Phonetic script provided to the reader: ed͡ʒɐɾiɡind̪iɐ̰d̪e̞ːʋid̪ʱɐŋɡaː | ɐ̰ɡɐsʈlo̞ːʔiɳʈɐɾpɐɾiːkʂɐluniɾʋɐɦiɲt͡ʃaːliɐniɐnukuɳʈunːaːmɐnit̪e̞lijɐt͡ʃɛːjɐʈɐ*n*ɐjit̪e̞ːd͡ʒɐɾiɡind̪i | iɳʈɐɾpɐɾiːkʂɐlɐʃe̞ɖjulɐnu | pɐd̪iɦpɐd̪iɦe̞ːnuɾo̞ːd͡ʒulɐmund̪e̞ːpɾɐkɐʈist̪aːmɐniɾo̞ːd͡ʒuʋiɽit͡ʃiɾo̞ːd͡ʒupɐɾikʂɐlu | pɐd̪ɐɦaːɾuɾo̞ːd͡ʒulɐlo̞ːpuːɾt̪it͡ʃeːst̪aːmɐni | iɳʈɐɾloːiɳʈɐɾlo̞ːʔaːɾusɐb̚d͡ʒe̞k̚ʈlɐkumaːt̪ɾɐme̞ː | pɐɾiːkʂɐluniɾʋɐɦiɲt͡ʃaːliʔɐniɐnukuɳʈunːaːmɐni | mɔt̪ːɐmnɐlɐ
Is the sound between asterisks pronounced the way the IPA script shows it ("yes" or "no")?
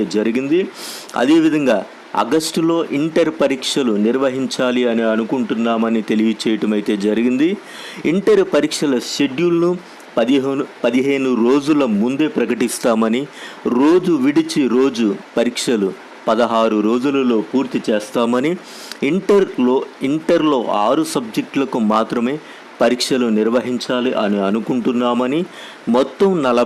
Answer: no